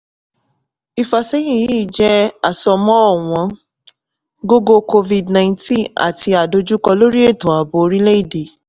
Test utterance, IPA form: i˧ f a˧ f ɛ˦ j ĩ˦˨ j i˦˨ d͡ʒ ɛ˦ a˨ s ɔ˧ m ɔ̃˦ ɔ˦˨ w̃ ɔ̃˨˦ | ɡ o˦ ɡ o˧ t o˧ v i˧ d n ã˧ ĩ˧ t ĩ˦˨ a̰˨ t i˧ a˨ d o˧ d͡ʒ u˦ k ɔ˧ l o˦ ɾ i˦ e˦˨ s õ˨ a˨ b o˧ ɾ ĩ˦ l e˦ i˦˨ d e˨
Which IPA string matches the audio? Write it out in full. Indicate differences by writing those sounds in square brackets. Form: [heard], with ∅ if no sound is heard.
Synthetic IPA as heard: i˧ f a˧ [s] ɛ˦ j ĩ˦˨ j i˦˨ d͡ʒ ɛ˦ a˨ s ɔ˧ m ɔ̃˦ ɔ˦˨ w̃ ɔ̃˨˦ | ɡ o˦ ɡ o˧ [k] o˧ v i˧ d n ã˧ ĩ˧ t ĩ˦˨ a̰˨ t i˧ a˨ d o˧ d͡ʒ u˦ k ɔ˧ l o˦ ɾ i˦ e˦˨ [t] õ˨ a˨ b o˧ ɾ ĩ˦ l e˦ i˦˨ d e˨